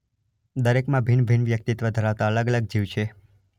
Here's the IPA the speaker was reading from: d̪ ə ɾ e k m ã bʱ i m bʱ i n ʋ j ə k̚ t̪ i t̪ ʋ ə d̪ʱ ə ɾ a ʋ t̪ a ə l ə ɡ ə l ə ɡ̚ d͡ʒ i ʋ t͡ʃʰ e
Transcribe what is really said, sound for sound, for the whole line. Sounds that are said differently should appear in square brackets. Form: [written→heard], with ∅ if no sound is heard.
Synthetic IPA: d̪ ə ɾ e k m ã bʱ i [m→n] bʱ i n ʋ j ə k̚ t̪ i t̪ ʋ ə d̪ʱ ə ɾ a ʋ t̪ a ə l ə ɡ ə l ə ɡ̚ d͡ʒ i ʋ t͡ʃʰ e